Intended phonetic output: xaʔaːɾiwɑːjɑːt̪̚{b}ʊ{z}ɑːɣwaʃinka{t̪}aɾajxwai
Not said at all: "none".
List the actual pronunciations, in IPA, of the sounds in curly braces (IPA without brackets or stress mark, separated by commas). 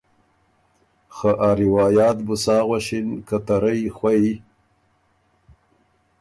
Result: b, s, t̪